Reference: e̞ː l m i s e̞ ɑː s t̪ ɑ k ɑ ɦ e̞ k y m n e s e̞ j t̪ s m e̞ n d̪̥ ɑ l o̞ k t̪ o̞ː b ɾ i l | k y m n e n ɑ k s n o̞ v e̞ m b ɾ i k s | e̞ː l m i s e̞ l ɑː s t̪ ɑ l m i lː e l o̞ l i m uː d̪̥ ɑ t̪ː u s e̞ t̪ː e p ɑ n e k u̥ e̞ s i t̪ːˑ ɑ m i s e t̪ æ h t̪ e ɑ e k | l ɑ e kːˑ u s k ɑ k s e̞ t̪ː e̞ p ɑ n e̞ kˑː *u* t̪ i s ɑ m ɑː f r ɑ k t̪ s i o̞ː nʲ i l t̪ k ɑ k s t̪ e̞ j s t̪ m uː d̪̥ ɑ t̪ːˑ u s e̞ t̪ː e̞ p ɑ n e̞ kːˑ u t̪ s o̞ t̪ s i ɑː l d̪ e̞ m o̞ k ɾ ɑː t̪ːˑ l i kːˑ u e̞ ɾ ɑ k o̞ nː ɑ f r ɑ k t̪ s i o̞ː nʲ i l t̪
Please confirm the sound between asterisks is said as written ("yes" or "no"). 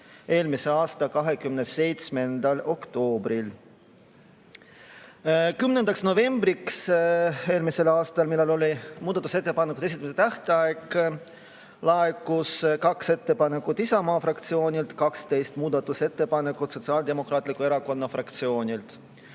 yes